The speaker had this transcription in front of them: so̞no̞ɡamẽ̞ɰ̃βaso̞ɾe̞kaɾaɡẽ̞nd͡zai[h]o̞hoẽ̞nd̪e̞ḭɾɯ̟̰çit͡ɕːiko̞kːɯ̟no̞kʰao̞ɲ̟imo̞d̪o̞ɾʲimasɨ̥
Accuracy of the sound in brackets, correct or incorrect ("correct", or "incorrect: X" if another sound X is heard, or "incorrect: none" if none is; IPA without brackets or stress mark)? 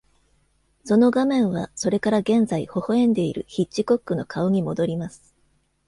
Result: correct